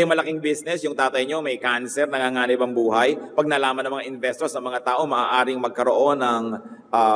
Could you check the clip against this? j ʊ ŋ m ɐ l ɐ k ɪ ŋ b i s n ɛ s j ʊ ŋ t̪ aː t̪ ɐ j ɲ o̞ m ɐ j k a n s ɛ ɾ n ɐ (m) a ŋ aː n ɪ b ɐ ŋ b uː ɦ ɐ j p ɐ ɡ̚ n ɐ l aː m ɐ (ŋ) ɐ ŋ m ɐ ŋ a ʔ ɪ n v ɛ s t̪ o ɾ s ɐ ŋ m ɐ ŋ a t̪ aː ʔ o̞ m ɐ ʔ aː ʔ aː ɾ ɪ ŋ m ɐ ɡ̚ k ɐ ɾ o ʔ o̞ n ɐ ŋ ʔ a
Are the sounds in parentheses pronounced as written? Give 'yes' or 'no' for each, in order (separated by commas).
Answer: no, no